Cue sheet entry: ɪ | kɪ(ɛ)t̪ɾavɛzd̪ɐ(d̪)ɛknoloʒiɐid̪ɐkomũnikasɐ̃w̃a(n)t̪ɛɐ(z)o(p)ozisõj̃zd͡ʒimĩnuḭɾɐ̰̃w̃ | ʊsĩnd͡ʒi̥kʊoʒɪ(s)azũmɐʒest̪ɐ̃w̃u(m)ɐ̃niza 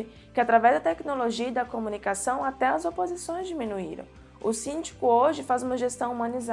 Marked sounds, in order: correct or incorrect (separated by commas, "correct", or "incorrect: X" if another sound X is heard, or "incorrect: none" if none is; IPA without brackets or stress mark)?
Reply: incorrect: a, incorrect: t̪, incorrect: none, correct, correct, incorrect: f, correct